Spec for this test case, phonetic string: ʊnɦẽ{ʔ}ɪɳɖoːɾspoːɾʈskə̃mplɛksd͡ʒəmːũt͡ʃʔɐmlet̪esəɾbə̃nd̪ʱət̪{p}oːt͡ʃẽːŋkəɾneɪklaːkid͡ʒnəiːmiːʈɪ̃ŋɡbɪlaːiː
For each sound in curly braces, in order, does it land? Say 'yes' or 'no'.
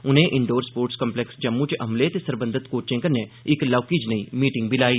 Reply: yes, no

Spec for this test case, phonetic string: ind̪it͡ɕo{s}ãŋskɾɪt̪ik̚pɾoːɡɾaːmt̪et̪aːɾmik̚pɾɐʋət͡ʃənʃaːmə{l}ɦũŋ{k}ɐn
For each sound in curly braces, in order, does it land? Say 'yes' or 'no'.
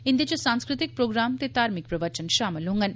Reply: yes, yes, no

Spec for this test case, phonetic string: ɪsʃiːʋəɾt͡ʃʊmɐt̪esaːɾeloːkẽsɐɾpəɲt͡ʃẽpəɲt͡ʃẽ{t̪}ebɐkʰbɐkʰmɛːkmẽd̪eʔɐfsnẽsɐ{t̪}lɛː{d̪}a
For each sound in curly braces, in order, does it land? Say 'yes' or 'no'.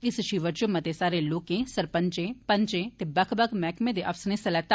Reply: yes, no, no

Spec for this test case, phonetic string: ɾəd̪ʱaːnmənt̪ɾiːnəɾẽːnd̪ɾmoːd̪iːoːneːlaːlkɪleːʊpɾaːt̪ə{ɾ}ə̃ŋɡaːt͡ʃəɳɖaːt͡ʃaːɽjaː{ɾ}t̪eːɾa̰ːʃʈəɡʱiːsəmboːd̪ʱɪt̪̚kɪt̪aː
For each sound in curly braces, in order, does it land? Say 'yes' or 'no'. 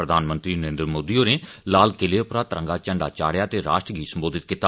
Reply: yes, no

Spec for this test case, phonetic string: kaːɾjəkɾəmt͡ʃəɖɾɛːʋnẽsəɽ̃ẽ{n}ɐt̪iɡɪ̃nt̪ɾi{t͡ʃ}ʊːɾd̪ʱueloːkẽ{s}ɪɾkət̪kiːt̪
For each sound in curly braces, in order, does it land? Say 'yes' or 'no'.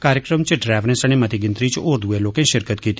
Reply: no, yes, no

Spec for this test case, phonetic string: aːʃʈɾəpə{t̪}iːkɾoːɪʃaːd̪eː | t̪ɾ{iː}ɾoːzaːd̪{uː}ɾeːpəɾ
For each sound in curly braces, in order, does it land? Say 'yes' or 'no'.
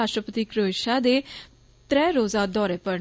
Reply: yes, no, no

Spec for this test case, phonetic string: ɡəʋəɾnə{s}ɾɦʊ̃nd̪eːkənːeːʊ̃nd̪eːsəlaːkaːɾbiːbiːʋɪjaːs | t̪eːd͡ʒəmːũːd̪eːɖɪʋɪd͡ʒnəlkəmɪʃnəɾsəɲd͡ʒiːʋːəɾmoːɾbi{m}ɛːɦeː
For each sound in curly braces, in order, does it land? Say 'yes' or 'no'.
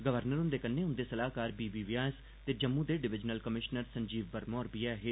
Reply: no, no

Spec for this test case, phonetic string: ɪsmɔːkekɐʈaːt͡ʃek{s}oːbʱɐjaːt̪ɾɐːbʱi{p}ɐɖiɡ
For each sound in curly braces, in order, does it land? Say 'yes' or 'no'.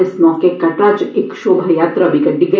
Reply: no, no

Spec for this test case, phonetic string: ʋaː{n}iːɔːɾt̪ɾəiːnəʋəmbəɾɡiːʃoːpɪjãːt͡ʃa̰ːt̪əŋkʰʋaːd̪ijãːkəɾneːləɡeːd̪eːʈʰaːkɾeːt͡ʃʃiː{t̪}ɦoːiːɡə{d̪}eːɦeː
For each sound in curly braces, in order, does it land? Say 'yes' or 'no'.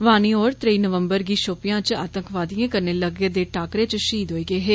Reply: yes, no, no

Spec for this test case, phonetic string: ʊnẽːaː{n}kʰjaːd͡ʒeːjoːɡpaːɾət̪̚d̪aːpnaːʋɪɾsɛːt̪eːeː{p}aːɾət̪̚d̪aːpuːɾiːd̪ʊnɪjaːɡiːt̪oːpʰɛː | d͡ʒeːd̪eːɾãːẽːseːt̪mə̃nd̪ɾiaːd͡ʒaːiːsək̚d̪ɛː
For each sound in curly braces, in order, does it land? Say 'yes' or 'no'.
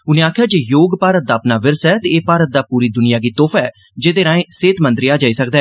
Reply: no, yes

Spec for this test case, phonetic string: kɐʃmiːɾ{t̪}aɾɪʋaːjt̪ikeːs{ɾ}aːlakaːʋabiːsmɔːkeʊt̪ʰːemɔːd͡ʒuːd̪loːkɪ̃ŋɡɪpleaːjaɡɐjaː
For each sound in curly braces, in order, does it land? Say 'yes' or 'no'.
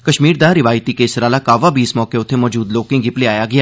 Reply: no, yes

